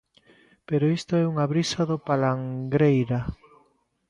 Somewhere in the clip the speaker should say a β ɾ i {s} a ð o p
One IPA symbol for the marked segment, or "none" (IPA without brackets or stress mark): s